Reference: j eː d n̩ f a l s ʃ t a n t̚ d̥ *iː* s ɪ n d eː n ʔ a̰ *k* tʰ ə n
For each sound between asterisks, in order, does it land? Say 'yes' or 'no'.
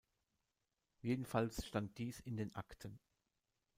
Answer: yes, yes

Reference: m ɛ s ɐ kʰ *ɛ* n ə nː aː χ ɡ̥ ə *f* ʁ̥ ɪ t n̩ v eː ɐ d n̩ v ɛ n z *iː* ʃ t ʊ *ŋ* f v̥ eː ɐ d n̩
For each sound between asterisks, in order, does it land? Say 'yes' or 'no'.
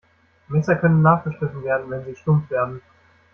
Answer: no, no, yes, no

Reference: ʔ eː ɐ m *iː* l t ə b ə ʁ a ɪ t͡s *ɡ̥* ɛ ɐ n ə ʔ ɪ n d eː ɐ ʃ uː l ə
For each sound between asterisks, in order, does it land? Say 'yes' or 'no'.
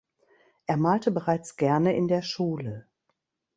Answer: no, yes

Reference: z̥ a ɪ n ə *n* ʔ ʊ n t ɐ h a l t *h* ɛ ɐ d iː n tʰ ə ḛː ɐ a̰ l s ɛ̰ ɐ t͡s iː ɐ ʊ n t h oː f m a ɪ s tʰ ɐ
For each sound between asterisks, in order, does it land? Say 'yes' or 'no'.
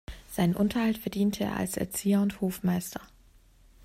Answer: yes, no

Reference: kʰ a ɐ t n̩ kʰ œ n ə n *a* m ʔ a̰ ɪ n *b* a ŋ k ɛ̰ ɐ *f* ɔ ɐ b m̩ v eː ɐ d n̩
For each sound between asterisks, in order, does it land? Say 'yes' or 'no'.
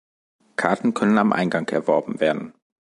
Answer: yes, no, no

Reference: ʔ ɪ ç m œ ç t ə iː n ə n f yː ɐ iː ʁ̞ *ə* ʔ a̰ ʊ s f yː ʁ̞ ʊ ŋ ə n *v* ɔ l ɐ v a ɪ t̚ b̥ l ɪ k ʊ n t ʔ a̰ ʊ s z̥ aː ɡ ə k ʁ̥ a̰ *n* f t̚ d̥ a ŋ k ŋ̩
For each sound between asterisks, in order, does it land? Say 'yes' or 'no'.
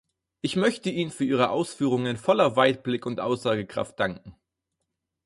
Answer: yes, no, no

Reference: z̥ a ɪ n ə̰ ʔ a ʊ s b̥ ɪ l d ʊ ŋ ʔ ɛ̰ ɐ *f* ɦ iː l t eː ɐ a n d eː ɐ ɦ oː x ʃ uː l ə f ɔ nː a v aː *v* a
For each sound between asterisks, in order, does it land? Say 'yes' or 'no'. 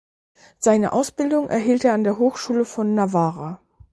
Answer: no, no

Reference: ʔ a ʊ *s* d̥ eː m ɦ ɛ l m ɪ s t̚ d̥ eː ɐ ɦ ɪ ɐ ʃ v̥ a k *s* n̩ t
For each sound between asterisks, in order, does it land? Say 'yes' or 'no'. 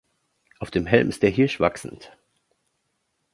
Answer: no, yes

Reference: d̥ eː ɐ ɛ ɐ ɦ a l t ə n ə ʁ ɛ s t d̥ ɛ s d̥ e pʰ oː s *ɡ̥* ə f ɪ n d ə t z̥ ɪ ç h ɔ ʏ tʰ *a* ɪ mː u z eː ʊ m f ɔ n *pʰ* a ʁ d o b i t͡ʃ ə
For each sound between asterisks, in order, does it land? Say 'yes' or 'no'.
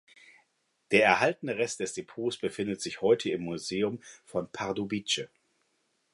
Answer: no, no, yes

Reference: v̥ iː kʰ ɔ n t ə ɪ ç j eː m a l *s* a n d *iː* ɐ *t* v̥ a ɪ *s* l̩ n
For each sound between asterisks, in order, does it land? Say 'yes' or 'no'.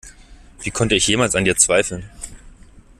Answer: yes, yes, no, no

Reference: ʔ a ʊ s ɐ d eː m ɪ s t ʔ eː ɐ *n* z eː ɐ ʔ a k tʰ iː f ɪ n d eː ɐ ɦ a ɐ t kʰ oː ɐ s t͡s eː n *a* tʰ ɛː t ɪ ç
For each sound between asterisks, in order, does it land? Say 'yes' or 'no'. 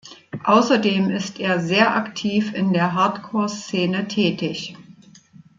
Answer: no, no

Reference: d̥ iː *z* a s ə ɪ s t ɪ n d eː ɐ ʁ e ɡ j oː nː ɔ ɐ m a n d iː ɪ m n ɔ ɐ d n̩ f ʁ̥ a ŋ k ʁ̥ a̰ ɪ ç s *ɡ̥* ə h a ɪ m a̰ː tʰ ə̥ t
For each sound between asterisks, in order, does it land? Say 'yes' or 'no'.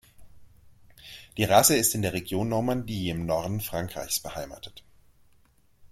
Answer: no, no

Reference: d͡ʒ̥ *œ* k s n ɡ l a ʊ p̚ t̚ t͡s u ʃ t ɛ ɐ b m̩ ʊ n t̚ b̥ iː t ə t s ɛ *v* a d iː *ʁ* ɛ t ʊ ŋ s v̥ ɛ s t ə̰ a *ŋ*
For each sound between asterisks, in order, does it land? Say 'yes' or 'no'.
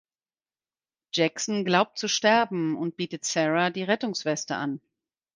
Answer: no, no, yes, no

